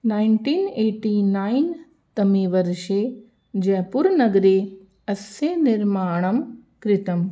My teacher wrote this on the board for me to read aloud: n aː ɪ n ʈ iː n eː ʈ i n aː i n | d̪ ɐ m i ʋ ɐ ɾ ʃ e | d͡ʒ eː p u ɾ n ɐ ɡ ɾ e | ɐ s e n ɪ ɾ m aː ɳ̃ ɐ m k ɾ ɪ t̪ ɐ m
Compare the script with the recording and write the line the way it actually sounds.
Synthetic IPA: n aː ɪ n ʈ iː n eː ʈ i n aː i n | t̪ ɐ m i ʋ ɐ ɾ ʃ e | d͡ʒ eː p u ɾ n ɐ ɡ ɾ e | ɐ s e n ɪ ɾ m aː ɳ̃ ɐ m k ɾ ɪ t̪ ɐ m